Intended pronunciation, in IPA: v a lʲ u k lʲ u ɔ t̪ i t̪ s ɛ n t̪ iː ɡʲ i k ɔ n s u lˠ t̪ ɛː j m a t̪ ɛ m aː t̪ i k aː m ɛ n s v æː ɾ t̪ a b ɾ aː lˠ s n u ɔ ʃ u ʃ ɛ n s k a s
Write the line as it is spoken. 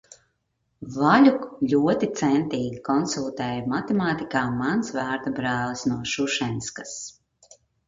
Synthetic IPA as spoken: v a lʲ u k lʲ u ɔ t̪ i t̪ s ɛ n t̪ iː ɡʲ i k ɔ n s u lˠ t̪ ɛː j m a t̪ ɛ m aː t̪ i k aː m a n s v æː ɾ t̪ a b ɾ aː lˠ s n u ɔ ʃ u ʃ ɛ n s k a s